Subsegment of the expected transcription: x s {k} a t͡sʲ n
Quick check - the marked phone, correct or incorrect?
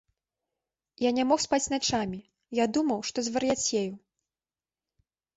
incorrect